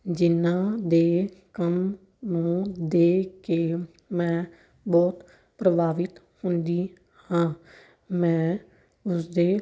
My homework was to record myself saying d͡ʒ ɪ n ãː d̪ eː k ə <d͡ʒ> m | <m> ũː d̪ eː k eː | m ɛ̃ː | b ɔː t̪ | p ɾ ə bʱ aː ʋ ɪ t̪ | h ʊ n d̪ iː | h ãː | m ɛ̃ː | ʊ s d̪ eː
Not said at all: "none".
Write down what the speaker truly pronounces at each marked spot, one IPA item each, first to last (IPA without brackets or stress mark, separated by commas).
none, n